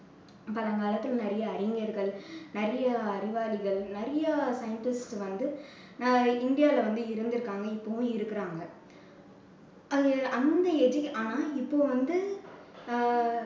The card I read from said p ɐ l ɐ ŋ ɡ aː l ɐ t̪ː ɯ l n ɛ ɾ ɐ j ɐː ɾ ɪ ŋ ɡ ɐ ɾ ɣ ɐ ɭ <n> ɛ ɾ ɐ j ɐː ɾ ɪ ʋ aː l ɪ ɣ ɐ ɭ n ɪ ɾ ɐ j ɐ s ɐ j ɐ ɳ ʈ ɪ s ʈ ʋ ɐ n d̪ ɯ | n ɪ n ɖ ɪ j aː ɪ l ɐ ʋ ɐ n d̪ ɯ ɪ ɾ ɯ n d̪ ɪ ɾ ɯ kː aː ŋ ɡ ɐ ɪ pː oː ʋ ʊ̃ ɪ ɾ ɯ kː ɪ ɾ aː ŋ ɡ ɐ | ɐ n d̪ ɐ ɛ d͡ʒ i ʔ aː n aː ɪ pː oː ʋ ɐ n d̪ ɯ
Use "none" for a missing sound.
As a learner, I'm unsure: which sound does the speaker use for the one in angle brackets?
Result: n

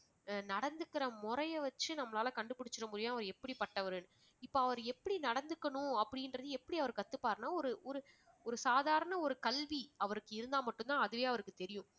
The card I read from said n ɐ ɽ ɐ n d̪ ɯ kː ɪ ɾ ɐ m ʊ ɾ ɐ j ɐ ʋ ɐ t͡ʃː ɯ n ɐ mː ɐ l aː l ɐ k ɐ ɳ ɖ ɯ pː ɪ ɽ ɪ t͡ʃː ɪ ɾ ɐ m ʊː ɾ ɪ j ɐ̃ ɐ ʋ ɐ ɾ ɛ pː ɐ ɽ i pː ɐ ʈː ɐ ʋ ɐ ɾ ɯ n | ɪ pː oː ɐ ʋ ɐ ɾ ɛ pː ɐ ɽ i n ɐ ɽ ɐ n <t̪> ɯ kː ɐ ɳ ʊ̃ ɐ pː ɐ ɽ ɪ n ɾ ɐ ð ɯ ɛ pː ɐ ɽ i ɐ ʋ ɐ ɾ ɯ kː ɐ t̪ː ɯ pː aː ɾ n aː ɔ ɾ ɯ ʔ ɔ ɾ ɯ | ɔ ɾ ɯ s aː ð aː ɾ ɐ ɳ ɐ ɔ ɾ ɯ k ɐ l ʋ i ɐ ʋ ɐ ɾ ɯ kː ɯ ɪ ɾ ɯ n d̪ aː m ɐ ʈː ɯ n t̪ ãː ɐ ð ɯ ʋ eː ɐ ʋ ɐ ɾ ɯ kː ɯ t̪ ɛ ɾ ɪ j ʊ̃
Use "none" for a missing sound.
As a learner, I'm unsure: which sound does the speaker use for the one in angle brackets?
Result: d̪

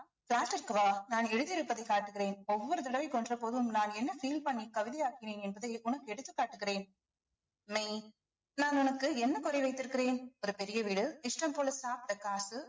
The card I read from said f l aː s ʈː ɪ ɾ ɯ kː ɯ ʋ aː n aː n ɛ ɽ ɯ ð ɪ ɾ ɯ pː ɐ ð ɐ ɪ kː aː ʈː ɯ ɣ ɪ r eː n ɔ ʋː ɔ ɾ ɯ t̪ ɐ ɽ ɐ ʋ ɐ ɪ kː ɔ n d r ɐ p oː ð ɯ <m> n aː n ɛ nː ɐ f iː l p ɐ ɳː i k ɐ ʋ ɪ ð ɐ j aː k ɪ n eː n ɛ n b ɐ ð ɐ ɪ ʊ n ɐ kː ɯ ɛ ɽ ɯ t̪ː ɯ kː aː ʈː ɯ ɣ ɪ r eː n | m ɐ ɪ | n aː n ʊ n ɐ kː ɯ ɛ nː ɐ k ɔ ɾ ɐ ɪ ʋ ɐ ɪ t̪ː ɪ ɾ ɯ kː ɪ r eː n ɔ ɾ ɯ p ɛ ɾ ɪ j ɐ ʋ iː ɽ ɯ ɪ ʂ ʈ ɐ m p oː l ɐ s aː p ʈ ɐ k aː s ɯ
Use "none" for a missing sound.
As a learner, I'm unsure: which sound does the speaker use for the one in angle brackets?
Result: m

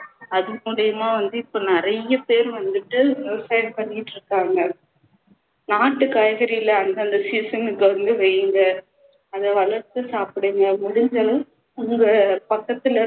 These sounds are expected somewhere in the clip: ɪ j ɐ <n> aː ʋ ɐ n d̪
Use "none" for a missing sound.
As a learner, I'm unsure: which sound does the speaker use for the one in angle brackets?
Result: m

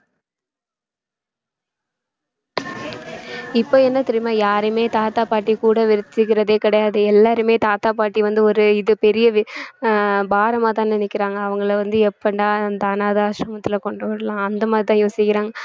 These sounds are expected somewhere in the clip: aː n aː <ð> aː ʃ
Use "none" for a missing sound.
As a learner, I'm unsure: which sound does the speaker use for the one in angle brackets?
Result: ð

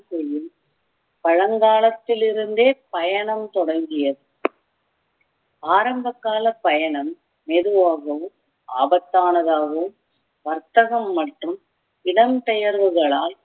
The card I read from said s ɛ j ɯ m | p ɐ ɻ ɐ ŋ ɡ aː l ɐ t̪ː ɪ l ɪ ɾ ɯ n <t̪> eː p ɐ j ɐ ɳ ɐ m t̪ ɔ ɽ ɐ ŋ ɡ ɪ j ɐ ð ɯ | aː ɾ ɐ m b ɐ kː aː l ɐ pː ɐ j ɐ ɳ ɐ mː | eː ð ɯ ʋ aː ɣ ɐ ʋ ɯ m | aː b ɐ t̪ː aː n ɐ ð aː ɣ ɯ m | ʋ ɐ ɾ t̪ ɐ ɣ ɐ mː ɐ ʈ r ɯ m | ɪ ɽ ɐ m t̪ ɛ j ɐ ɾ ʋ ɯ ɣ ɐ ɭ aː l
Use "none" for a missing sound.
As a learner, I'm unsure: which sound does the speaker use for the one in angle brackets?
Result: d̪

